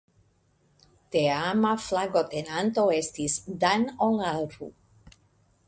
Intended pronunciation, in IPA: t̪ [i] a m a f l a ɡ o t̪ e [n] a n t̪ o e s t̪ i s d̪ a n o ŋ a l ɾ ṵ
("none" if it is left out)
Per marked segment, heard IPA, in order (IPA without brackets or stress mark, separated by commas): e, n